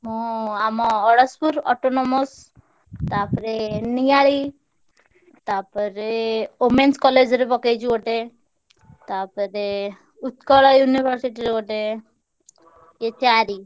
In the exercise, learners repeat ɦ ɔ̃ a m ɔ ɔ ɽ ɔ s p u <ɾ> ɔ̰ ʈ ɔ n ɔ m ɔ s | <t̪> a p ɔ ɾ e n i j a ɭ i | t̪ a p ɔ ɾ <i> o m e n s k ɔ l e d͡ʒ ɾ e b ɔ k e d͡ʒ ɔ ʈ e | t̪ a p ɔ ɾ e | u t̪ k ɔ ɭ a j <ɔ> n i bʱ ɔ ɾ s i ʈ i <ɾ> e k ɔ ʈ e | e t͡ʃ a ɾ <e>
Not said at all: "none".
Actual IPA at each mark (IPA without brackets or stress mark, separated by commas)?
ɾ, t̪, e, u, ɾ, i